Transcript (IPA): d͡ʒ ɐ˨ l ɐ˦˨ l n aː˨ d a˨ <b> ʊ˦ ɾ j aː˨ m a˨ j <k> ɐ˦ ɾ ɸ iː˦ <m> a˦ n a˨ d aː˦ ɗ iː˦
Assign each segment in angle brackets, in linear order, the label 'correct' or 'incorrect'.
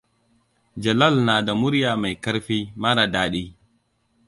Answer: incorrect, correct, correct

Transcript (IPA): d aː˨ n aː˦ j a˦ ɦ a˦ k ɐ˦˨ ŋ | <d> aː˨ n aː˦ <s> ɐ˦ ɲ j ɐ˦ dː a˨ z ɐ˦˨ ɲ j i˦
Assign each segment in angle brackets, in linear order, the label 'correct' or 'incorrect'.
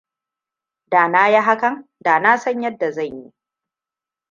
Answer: correct, correct

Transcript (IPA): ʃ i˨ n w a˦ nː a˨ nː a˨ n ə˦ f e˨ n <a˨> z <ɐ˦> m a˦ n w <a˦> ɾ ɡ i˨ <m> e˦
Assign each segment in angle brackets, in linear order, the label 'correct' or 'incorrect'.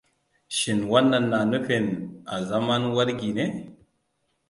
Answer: correct, incorrect, correct, incorrect

